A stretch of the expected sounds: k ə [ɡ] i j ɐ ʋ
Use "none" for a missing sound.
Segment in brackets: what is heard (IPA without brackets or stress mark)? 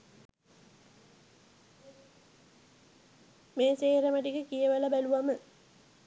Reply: k